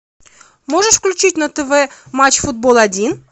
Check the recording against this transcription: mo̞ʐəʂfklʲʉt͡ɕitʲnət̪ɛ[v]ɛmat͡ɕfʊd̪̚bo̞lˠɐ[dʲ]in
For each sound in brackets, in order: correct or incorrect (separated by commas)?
correct, correct